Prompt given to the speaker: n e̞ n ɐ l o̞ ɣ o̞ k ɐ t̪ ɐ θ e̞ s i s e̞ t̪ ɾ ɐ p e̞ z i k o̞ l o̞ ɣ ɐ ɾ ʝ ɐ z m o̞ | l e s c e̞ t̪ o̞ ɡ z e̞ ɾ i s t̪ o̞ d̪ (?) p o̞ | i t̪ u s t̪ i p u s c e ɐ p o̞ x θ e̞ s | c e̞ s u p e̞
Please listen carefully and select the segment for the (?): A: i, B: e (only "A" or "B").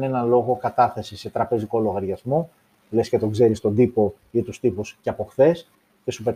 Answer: A